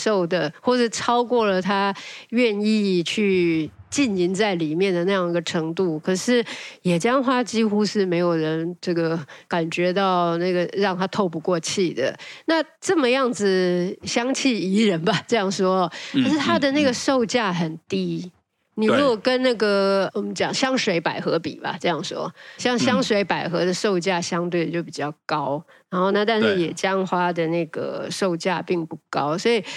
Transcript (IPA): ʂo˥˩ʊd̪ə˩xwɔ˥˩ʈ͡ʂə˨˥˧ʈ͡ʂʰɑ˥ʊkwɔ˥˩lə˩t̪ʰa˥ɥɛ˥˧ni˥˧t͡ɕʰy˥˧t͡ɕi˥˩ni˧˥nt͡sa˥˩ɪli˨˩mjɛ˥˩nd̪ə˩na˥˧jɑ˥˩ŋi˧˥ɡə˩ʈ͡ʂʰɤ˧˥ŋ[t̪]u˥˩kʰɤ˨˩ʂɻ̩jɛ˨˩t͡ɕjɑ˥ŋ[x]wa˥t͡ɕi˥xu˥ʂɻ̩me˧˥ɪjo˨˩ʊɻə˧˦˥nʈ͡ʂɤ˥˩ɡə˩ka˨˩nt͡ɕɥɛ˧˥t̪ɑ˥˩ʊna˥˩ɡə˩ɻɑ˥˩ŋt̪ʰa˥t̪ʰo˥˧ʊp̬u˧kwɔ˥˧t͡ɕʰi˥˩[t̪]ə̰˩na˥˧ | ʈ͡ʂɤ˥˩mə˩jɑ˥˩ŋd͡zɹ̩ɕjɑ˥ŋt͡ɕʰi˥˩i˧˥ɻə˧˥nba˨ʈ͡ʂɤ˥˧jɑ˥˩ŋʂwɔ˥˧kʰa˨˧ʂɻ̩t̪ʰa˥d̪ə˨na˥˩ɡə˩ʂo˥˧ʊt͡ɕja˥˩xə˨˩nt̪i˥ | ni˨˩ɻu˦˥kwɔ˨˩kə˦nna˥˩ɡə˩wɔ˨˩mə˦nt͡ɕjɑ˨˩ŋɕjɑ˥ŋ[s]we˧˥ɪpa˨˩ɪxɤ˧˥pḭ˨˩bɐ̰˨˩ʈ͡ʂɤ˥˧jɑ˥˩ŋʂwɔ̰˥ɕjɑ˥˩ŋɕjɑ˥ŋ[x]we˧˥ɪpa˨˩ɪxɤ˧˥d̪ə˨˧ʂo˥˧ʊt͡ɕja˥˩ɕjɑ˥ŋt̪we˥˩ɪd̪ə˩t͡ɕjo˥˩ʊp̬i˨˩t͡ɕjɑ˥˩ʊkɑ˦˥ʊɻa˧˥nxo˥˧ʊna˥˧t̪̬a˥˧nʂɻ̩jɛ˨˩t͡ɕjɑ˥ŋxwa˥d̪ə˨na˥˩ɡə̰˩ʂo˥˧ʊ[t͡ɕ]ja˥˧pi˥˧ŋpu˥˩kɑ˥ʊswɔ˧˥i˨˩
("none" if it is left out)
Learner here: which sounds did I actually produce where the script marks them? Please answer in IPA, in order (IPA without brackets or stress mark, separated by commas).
t̪, x, d̪, ʂ, ʂ, t͡ɕ